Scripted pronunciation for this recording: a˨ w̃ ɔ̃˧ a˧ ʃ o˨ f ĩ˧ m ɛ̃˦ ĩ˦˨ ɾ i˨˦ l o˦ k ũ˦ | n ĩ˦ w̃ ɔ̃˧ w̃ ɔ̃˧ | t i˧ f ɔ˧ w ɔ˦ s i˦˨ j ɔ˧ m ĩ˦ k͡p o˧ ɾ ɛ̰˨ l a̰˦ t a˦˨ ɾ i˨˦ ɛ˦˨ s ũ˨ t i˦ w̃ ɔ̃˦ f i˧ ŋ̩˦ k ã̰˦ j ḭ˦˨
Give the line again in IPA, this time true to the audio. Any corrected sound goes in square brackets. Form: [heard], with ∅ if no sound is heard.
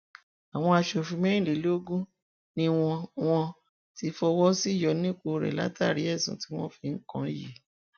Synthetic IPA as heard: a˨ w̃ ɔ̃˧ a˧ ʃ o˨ f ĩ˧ m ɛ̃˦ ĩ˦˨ [l] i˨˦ l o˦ [ɡ] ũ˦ | n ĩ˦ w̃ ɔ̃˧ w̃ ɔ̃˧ | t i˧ f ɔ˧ w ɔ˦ s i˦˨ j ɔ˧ [n] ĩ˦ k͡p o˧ ɾ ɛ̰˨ l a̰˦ t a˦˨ ɾ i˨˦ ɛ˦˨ s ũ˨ t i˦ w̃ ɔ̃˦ f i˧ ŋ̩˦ k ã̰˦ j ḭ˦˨